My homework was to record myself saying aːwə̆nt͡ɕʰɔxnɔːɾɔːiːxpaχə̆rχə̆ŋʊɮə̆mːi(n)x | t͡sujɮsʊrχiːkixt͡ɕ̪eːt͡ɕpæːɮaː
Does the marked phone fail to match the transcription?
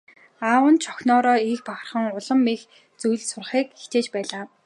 yes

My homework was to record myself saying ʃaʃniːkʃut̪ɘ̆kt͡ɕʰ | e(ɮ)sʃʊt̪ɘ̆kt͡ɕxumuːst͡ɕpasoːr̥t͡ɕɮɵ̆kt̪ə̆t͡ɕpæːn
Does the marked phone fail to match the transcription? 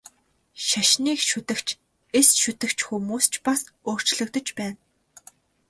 yes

